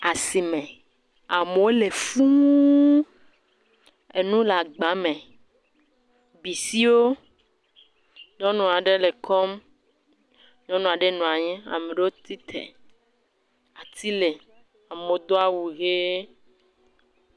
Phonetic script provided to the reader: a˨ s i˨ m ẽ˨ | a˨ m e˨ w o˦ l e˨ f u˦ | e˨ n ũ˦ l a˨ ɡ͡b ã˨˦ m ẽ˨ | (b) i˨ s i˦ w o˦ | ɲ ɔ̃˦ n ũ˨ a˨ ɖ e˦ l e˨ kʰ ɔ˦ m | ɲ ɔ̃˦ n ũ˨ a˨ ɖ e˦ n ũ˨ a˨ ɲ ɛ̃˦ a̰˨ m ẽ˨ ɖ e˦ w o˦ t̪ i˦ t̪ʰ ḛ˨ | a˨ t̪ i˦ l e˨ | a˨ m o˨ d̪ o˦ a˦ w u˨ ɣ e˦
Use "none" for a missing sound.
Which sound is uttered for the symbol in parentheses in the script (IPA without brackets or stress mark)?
b